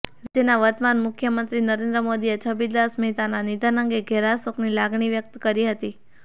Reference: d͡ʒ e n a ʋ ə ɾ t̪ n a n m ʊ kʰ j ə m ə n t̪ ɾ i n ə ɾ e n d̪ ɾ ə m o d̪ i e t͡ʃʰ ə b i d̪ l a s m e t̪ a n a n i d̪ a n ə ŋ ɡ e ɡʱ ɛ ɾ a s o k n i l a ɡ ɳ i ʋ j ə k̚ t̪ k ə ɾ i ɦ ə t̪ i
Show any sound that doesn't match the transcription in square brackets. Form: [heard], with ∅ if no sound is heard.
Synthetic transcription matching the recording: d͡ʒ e n a ʋ ə ɾ t̪ [m] a n m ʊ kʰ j ə m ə n t̪ ɾ i n ə ɾ e n d̪ ɾ ə m o d̪ i e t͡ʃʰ ə b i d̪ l a s m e t̪ a n a n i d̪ a n ə ŋ ɡ e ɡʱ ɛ ɾ a s o k n i l a ɡ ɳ i ʋ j ə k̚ t̪ k ə ɾ i ɦ ə t̪ i